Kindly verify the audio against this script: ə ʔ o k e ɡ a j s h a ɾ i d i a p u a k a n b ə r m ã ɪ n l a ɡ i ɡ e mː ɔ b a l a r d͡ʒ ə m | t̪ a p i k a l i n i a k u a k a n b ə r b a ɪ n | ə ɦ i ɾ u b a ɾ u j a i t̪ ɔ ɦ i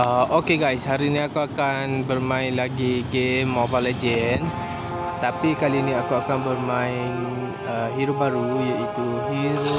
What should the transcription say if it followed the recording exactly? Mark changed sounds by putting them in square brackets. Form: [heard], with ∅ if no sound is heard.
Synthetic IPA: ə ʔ o k e ɡ a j s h a ɾ i [n] i a [k] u a k a n b ə r m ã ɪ n l a ɡ i ɡ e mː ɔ b a l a [∅] d͡ʒ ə [n] | t̪ a p i k a l i n i a k u a k a n b ə r [m] a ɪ n | ə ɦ i ɾ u b a ɾ u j a i t̪ [u] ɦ i